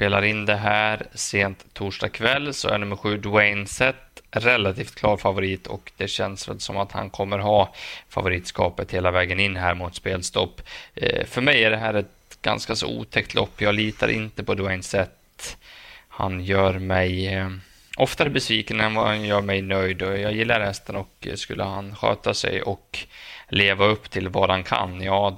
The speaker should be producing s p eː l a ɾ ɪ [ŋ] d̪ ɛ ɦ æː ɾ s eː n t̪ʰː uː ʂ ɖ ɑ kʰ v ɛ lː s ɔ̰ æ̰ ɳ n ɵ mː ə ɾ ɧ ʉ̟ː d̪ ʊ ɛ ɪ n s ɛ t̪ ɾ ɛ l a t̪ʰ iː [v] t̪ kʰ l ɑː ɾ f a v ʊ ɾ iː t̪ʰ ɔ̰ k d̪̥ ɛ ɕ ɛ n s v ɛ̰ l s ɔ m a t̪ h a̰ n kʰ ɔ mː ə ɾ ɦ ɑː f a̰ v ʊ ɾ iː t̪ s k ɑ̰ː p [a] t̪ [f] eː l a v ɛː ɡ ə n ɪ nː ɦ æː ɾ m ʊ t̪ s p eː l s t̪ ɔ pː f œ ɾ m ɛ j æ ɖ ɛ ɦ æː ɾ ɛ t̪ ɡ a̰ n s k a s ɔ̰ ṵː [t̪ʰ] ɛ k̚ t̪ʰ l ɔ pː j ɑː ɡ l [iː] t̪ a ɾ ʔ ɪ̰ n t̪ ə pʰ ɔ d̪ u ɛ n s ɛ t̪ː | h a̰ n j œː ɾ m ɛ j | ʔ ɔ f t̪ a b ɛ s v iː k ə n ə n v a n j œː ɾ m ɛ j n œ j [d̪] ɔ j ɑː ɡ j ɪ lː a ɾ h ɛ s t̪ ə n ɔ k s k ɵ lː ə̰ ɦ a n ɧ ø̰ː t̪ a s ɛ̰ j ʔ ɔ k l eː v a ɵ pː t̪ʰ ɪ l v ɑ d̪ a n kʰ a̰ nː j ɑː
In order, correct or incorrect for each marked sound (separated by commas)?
incorrect, incorrect, incorrect, incorrect, correct, correct, correct